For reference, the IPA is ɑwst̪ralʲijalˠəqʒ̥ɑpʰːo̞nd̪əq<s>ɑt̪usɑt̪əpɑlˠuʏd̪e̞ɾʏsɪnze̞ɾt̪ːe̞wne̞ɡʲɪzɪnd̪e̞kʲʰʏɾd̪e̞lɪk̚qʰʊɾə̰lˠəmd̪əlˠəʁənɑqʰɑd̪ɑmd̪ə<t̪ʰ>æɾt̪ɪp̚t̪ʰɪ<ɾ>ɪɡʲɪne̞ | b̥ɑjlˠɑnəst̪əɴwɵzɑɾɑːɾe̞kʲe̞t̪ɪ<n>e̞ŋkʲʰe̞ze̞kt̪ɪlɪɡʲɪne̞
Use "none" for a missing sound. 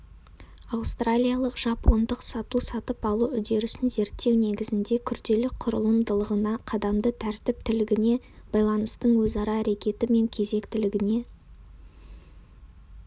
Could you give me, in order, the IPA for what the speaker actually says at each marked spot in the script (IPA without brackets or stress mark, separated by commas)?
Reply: s, t̪ʰ, l, m